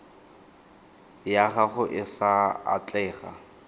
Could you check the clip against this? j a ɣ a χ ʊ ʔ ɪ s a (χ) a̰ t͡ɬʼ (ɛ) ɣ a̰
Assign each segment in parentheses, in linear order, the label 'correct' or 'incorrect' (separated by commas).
incorrect, incorrect